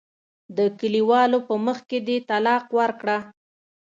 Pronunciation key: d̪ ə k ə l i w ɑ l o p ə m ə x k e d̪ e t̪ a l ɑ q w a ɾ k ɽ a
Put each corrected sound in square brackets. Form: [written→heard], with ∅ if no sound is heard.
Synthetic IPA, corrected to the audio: d̪ ə k ə l i w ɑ l o p ə m ə x k e d̪ e t̪ a l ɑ q w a ɾ k ɽ a